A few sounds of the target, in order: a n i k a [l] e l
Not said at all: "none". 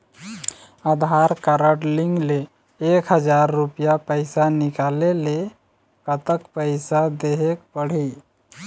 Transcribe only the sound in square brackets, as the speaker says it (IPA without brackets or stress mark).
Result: l